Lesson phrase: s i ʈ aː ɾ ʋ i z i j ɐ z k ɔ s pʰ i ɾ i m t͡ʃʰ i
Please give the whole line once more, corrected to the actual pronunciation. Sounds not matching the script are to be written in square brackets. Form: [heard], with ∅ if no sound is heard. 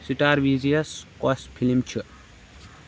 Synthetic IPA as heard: s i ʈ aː ɾ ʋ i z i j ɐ [s] k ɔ s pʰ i [l] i m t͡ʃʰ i

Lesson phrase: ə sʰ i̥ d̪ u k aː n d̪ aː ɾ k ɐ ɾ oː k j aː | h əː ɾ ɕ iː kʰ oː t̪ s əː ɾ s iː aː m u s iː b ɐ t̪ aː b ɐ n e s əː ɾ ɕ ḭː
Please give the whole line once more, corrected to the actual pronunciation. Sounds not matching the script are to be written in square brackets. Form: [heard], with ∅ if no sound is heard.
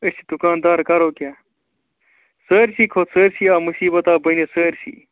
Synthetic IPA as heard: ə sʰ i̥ d̪ u k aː n d̪ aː ɾ k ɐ ɾ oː k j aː | [s] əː ɾ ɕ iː kʰ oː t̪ s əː ɾ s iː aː m u s iː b ɐ t̪ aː b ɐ n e s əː ɾ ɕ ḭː

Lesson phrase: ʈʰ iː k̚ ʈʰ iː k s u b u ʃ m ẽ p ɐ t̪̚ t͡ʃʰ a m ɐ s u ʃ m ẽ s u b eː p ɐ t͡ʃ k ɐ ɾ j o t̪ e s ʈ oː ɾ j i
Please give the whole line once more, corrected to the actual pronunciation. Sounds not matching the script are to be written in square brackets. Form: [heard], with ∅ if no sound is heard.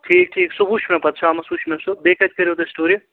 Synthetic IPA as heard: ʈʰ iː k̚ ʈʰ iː k s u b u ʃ m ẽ p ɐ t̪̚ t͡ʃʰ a m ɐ s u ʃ m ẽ s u b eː [k] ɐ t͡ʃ k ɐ ɾ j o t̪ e s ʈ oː ɾ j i

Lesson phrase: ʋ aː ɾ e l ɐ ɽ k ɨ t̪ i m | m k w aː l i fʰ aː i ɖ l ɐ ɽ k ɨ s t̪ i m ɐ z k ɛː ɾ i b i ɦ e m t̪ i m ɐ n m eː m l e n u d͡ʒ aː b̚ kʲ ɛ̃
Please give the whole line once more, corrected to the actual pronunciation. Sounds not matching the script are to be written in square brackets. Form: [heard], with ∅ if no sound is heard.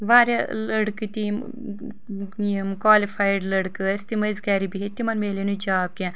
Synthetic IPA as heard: ʋ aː ɾ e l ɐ ɽ k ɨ t̪ i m | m k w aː l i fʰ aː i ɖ l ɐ ɽ k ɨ s t̪ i m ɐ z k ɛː ɾ i b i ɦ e [∅] t̪ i m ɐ n m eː [∅] l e n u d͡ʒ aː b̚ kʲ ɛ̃

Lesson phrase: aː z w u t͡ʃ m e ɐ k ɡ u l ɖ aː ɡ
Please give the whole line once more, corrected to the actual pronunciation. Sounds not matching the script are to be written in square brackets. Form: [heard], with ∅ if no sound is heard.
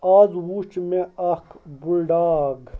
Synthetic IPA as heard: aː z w u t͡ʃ m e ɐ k [b] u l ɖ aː ɡ

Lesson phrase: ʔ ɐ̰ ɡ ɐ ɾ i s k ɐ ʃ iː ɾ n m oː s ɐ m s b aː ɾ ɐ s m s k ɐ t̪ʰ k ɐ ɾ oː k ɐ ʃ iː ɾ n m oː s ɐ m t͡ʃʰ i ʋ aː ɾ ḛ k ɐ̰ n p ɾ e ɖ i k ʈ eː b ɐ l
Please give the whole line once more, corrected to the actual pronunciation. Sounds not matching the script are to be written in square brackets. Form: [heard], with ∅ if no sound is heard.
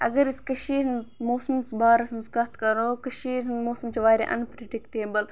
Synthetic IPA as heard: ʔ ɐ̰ ɡ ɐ ɾ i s k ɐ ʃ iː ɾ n m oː s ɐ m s b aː ɾ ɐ s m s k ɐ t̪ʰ k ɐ ɾ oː k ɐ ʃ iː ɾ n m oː s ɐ m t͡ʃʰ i ʋ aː ɾ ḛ [ʔ] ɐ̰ n p ɾ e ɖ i k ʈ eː b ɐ l

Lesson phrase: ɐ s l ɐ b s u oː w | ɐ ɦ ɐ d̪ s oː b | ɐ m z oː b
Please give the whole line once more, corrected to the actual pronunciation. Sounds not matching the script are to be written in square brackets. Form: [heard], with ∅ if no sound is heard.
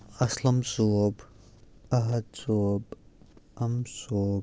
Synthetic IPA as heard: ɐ s l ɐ [m] s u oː [b] | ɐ ɦ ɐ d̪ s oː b | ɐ m [s] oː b

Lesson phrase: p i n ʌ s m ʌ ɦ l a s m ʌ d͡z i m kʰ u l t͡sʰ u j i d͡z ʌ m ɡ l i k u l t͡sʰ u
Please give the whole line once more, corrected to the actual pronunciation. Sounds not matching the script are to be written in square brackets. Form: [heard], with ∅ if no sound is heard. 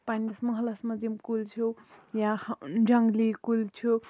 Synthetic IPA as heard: p [a] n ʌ s m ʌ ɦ l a s m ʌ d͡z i m [k] u l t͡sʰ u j [a] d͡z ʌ [ŋ] ɡ l i k u l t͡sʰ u

